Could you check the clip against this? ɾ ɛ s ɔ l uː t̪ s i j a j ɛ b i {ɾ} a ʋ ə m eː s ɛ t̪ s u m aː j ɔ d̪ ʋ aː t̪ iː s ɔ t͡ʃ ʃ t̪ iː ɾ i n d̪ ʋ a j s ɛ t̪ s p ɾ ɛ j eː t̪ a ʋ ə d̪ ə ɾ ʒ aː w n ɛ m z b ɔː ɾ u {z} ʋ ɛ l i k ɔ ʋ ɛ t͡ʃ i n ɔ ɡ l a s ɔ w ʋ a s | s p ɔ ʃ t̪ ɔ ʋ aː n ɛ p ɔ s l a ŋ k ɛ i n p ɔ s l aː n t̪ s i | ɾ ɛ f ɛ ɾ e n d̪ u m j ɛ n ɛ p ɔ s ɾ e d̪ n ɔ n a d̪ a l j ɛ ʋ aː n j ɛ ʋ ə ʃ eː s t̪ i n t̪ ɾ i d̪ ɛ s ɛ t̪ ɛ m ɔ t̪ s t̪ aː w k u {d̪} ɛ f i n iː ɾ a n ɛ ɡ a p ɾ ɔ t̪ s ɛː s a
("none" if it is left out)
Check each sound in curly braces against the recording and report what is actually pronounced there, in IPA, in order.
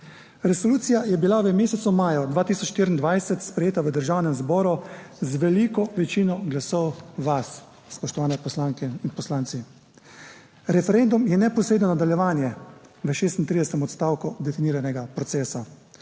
l, z, d̪

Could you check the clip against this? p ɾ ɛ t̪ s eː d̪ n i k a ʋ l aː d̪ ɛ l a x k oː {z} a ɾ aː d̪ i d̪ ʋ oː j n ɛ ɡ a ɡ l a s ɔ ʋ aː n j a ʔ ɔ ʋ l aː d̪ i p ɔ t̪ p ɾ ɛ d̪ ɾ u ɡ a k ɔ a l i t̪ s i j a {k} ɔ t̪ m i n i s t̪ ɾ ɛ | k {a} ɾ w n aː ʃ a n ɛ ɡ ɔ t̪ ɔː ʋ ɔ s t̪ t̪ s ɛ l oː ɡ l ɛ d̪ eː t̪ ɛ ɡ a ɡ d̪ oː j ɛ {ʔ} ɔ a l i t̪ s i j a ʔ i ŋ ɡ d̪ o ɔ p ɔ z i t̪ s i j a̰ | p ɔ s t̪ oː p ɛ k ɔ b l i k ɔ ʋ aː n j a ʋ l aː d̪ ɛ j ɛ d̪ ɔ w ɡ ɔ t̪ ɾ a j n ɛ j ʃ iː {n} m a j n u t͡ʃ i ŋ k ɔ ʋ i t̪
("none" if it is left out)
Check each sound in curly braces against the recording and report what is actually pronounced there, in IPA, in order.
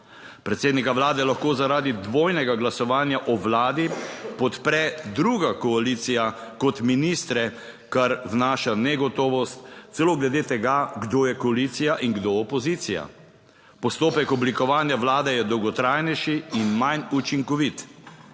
z, k, a, k, n

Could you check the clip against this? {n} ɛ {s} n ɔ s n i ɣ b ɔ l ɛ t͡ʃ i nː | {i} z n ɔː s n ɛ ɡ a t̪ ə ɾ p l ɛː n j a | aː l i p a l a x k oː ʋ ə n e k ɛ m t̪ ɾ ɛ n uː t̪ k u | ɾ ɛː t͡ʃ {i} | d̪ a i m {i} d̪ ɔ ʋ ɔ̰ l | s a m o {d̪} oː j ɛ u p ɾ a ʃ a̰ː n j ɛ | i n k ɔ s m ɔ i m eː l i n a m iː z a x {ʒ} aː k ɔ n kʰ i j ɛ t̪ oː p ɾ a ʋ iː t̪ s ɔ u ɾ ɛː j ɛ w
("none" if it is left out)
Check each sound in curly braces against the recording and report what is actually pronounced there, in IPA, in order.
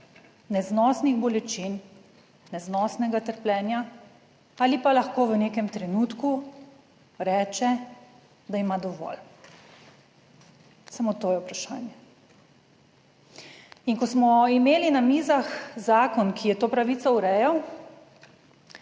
n, z, ɛ, ɛ, a, t̪, z

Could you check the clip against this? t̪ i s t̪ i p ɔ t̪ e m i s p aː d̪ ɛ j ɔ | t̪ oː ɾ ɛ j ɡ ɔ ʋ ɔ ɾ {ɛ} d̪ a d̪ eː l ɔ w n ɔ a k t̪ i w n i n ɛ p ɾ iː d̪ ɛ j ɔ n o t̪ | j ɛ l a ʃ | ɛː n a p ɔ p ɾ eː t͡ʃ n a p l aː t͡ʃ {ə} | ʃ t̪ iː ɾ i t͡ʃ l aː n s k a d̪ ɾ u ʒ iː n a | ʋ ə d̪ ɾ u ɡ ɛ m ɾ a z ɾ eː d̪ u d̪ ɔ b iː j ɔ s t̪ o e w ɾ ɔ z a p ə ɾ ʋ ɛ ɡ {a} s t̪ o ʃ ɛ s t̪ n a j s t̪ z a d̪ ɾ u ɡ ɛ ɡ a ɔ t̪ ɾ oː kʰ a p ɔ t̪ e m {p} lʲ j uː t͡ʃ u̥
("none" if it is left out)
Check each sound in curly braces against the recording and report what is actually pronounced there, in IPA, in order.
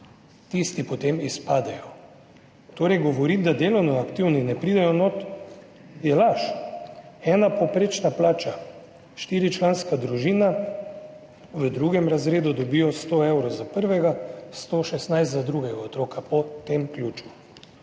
i, a, a, k

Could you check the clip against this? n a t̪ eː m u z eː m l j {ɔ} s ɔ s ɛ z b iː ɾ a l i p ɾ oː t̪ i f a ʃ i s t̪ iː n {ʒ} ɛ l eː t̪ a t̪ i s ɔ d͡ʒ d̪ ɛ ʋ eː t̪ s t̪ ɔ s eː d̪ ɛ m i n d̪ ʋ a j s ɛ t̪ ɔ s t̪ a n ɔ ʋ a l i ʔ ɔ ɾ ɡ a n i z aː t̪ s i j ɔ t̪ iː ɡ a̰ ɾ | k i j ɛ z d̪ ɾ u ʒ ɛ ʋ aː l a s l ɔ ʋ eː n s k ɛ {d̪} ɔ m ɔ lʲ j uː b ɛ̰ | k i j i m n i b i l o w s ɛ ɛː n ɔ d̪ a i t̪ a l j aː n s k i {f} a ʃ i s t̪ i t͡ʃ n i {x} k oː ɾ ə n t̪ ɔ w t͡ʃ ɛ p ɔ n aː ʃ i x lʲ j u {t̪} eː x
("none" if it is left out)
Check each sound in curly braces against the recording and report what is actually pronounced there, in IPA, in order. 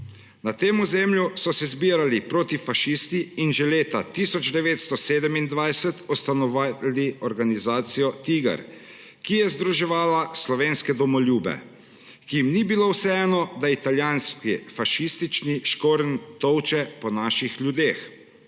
u, ʒ, d̪, f, ʃ, d̪

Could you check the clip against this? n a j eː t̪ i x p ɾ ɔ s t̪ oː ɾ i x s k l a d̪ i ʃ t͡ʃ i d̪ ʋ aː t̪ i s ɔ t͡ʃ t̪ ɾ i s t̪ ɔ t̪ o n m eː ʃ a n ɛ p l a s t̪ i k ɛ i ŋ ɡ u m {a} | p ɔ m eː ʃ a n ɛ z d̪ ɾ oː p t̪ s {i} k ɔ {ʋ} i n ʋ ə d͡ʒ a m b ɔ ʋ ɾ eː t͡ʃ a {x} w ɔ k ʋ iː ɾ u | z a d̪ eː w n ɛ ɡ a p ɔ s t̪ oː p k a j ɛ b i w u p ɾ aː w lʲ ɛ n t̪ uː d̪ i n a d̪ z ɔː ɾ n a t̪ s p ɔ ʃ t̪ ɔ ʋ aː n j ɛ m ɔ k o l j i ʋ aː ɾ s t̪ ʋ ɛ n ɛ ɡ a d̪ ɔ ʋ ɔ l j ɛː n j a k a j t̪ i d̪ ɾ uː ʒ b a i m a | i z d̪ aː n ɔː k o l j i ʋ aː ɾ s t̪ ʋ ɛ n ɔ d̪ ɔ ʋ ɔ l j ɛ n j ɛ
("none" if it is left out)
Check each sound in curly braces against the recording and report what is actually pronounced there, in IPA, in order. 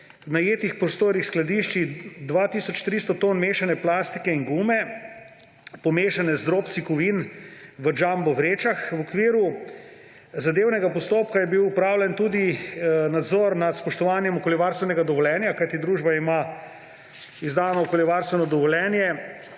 ɛ, i, ʋ, x

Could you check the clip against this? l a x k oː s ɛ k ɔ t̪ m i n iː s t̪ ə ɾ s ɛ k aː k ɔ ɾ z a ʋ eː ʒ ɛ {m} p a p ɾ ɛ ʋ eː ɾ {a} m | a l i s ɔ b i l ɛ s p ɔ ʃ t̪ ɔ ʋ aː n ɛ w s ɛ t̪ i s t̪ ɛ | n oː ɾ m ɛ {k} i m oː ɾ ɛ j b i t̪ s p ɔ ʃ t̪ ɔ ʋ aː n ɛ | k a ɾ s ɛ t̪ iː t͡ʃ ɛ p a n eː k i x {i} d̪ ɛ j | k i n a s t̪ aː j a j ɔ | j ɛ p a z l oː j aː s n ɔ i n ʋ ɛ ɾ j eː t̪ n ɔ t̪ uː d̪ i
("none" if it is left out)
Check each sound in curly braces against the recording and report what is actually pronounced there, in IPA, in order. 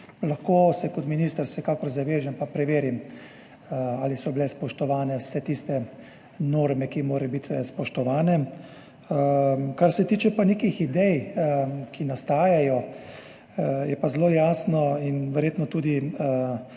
m, i, k, i

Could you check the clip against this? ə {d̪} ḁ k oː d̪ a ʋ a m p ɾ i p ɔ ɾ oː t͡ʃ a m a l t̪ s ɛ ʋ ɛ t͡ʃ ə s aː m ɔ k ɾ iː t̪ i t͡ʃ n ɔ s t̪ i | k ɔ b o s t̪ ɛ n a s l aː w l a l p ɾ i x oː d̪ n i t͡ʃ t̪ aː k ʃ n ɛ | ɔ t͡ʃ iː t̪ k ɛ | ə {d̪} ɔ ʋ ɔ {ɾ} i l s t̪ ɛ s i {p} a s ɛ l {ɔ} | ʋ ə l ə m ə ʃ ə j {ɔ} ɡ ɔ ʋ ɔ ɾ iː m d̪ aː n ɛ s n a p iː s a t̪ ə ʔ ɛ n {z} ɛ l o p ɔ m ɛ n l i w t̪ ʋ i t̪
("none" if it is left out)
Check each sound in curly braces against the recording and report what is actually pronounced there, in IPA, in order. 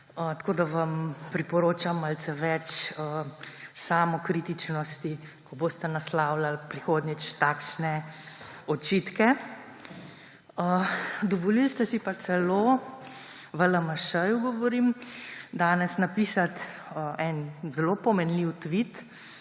t̪, d̪, l, p, o, u, z

